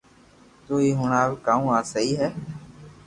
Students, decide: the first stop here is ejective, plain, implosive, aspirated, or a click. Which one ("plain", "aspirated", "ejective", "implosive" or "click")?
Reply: plain